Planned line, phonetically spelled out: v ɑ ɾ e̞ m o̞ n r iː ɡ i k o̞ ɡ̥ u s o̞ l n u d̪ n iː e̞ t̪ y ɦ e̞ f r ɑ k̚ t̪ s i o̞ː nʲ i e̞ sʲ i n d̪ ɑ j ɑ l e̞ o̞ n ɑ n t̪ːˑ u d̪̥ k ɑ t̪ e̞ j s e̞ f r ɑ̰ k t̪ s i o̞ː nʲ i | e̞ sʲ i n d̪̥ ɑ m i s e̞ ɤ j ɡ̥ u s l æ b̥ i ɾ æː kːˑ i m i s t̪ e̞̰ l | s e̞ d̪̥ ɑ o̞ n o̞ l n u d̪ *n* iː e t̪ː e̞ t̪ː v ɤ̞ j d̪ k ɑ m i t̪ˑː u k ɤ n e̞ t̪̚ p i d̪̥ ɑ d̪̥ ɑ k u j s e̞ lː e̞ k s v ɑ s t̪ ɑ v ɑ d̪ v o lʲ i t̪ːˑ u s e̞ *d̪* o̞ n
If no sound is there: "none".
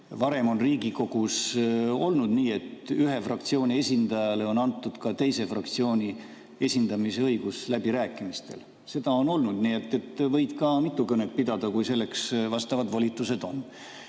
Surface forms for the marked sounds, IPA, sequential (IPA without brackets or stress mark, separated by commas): n, d̪